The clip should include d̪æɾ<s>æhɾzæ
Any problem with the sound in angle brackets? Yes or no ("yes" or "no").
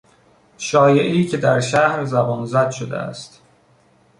yes